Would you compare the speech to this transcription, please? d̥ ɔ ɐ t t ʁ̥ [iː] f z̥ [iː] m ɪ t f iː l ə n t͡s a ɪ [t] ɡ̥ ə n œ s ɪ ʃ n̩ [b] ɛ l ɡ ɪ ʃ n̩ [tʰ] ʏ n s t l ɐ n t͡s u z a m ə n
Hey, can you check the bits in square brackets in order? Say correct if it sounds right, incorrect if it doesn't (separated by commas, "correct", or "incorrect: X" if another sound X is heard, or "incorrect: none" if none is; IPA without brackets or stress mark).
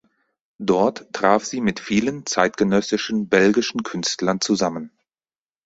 incorrect: aː, correct, correct, correct, incorrect: kʰ